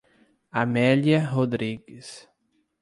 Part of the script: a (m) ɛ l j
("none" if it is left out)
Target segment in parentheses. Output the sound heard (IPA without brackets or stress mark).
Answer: m